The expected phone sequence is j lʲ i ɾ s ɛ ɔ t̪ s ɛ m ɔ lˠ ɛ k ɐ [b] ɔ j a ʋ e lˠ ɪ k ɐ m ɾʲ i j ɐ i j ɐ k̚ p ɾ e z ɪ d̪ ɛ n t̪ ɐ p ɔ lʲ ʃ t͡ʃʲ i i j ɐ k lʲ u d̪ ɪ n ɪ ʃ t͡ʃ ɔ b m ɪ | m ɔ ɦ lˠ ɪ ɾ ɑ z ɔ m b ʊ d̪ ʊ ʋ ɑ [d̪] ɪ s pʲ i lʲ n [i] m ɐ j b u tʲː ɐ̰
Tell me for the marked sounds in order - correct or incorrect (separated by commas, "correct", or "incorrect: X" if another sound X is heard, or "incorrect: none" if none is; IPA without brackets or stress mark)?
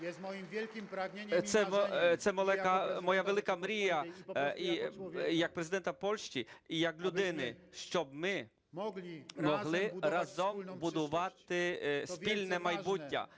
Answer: incorrect: m, incorrect: t̪, incorrect: ɛ